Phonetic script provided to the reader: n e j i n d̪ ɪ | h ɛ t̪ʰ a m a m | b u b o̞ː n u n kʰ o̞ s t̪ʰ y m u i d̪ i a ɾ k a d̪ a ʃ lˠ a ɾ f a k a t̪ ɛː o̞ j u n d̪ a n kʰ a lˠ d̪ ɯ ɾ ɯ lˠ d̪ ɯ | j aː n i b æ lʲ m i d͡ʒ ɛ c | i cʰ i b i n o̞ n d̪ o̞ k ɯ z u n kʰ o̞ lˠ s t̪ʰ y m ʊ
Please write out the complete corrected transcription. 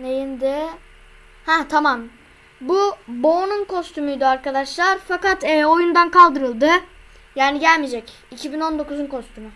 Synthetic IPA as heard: n e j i n d̪ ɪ | h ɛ t̪ʰ a m a m | b u b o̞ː n u n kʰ o̞ s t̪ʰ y m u j d̪ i a ɾ k a d̪ a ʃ lˠ a ɾ f a k a t̪ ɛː o̞ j u n d̪ a n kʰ a lˠ d̪ ɯ ɾ ɯ lˠ d̪ ɯ | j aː n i ɟ æ lʲ m i d͡ʒ ɛ c | i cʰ i b i n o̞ n d̪ o̞ k u z u n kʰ o̞ s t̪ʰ y m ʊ